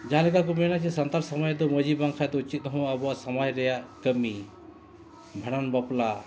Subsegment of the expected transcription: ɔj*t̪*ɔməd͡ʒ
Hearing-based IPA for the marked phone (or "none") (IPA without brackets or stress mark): d̪